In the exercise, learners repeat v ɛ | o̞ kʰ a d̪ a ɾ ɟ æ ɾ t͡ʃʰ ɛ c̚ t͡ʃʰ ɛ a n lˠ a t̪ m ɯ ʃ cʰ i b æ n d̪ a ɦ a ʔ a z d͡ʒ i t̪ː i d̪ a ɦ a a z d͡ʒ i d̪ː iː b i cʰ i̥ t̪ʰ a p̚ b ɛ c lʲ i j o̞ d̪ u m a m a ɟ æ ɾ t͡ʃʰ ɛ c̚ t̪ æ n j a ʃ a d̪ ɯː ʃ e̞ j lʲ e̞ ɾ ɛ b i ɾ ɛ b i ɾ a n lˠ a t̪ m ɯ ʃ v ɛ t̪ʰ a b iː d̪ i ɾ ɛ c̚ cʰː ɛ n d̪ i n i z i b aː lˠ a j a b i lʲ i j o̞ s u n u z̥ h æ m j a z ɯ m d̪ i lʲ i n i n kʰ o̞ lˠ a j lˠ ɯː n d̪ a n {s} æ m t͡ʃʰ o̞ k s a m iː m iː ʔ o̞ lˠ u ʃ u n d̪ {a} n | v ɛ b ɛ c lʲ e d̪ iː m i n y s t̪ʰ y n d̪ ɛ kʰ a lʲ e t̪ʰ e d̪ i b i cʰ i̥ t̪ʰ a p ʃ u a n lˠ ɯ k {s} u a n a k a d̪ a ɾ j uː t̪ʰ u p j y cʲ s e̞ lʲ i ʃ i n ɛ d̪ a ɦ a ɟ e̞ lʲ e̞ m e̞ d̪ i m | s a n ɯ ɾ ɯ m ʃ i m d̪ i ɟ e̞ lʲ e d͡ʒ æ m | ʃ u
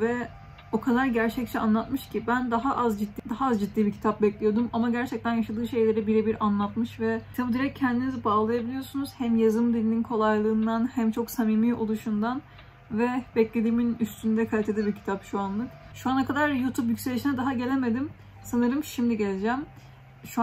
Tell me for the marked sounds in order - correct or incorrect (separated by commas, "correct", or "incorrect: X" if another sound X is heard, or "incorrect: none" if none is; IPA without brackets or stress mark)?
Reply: incorrect: h, correct, incorrect: ʃ